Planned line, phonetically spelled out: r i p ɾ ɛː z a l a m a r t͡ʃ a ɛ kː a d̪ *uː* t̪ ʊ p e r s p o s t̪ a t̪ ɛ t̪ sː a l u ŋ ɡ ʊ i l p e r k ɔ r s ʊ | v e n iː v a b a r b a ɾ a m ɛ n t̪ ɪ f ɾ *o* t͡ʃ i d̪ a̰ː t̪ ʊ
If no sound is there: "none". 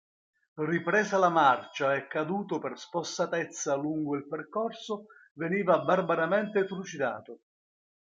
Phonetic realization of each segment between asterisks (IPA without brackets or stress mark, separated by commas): uː, u